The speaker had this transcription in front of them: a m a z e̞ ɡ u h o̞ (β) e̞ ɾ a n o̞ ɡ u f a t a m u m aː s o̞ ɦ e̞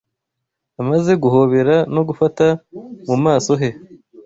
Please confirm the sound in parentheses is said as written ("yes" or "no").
yes